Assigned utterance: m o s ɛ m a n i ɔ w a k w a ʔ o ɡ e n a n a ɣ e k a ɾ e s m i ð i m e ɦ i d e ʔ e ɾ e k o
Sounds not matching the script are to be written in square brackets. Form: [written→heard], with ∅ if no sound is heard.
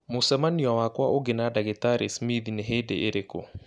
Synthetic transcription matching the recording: m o s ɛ m a n i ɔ w a k w a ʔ o ɡ e n a [n→d] a ɣ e [k→t] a ɾ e s m i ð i [m→n] e ɦ [i→e] d e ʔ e ɾ e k o